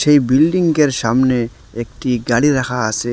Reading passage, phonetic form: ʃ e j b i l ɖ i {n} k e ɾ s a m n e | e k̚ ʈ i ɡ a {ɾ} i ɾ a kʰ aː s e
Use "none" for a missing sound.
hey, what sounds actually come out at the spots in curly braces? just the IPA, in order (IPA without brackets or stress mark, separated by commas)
ŋ, ɽ